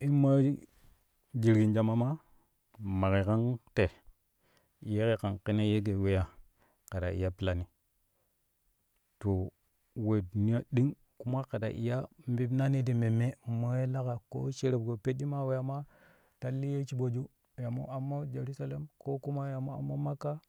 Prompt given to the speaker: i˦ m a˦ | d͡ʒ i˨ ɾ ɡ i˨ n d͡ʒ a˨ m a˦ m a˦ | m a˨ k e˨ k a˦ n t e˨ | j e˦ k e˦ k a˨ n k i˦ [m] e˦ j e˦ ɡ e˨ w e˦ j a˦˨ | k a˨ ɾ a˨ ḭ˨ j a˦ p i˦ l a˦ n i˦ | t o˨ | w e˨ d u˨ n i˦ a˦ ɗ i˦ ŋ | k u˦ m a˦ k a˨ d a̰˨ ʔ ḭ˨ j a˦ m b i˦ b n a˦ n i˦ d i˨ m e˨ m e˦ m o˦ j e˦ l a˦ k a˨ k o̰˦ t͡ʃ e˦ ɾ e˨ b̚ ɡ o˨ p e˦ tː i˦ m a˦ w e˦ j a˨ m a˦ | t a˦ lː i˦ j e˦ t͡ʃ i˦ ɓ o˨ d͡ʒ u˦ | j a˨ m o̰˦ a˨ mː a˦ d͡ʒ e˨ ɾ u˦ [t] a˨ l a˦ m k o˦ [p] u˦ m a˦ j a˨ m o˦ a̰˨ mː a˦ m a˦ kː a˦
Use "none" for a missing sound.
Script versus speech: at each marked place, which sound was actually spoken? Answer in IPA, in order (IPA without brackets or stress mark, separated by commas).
n, s, k